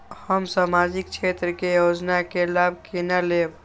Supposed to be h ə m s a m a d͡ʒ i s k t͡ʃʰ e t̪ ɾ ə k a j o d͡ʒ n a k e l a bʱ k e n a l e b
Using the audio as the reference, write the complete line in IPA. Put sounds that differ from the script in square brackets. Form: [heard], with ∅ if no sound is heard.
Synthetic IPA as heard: h ə m s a m a d͡ʒ i [∅] k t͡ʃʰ e t̪ ɾ ə k [e] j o d͡ʒ n a k e l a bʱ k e n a l e b